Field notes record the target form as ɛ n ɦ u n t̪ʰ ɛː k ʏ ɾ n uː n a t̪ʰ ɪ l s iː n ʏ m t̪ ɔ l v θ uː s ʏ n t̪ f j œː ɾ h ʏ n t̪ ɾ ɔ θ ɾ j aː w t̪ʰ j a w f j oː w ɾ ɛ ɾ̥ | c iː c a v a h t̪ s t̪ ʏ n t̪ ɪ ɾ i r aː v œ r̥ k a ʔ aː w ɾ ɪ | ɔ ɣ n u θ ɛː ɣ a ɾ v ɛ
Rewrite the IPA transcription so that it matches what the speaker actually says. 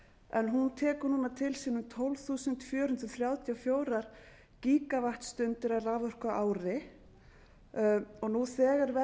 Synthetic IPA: ɛ n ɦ u n t̪ʰ ɛː k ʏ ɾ n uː n a t̪ʰ ɪ l s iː n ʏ m t̪ʰ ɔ l v θ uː s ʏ n t̪ f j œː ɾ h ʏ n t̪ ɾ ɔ θ ɾ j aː w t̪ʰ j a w f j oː w ɾ a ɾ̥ | c iː k a v a h t̪ s t̪ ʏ n t̪ ɪ ɾ a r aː v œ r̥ k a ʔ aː w ɾ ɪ | ɔ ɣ n u θ ɛː ɣ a ɾ v ɛ